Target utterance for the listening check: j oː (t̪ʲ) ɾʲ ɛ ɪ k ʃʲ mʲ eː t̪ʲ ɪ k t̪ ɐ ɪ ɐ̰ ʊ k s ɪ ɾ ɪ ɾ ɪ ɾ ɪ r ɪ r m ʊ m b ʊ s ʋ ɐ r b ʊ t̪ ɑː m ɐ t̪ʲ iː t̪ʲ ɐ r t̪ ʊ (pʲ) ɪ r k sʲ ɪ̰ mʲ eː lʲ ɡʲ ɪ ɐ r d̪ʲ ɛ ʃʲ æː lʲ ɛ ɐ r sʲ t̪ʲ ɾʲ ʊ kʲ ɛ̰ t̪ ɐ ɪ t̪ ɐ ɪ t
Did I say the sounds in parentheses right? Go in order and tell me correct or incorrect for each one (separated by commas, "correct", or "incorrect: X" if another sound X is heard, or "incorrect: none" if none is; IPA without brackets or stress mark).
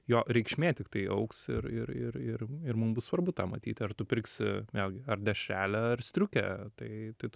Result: incorrect: none, correct